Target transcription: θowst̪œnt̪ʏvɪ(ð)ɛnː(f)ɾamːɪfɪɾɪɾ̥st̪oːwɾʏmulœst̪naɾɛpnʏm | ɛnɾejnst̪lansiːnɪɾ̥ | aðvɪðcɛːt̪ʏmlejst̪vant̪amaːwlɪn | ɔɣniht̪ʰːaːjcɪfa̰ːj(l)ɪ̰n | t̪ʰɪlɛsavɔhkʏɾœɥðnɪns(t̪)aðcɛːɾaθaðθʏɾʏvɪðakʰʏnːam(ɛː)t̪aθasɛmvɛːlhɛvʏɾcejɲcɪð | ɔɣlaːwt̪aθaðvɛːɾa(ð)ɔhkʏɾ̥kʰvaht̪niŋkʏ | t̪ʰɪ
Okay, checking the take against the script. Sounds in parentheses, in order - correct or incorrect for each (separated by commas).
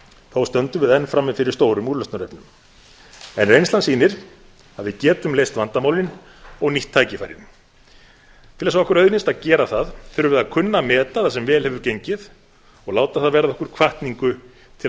correct, correct, incorrect, correct, correct, correct